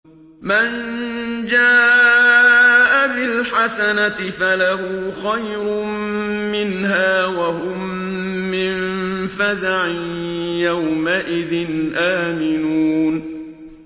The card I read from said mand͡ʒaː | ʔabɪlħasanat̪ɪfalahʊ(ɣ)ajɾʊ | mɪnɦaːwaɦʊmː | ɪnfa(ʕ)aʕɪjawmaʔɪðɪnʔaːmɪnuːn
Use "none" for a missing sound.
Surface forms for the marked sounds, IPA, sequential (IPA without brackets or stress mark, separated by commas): x, z